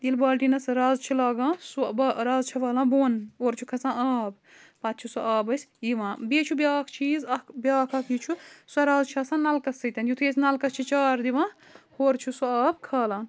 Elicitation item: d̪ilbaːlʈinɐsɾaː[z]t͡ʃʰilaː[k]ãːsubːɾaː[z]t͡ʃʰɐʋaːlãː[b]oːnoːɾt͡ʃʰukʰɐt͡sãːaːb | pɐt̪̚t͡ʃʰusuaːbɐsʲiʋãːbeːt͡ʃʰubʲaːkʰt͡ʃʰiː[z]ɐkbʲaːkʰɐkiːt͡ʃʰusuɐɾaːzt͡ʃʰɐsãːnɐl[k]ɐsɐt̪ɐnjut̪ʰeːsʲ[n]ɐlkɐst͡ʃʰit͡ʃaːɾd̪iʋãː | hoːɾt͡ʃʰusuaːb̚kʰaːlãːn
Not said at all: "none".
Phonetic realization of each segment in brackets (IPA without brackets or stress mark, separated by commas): z, ɡ, z, b, z, k, n